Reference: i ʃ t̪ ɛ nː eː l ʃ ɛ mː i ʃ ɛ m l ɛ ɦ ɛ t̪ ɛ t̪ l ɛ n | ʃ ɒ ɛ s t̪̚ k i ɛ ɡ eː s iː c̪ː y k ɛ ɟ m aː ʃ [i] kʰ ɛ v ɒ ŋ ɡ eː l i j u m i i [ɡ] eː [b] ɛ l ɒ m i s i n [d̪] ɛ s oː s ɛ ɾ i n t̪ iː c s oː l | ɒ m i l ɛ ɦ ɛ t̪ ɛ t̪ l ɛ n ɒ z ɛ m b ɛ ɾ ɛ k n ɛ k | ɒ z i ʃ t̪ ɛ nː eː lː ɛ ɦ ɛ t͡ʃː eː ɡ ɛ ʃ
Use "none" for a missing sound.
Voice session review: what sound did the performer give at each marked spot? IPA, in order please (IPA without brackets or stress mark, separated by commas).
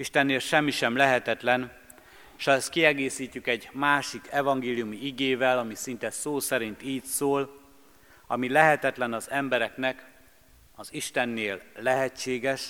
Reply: i, ɡ, v, t̪